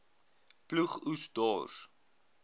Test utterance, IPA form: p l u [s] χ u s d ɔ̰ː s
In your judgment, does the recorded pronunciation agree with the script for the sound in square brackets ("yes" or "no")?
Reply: no